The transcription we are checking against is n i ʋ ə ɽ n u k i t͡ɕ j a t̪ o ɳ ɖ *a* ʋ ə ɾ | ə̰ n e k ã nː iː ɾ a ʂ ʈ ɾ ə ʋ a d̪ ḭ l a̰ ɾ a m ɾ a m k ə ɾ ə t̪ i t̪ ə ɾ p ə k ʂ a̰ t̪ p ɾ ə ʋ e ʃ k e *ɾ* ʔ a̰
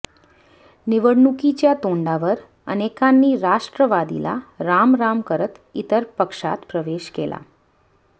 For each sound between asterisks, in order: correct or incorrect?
correct, incorrect: l

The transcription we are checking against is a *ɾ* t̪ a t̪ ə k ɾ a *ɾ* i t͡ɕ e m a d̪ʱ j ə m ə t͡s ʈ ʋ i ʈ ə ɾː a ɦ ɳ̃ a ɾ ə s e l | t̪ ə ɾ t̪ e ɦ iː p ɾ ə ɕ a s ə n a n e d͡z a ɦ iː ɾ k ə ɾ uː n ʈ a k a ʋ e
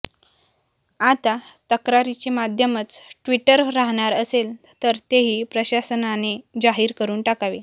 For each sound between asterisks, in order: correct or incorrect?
incorrect: none, correct

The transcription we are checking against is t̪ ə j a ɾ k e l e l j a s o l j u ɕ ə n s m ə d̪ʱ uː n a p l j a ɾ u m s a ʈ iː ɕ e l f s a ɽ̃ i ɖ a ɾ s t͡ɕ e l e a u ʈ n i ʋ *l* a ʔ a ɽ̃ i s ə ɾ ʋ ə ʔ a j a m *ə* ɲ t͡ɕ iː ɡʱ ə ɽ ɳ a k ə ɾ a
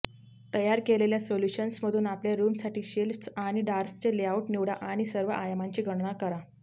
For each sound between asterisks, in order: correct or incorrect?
incorrect: ɽ, incorrect: a

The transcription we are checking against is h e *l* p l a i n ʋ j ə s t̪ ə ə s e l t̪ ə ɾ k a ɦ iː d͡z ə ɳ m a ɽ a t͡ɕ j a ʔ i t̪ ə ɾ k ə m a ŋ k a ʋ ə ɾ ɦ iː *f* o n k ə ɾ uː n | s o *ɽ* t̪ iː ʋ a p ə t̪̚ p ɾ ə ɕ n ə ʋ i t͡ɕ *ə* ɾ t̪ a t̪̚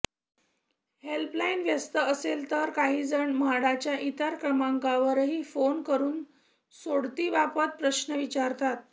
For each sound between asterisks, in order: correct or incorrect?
correct, correct, correct, incorrect: a

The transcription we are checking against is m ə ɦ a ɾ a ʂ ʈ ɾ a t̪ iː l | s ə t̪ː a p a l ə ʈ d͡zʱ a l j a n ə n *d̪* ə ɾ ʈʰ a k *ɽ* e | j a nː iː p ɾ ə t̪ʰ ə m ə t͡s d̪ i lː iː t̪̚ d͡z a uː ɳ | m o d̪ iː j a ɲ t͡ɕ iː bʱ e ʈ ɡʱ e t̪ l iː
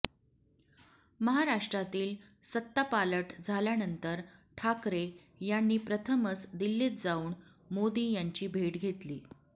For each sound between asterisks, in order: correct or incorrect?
incorrect: t̪, incorrect: ɾ

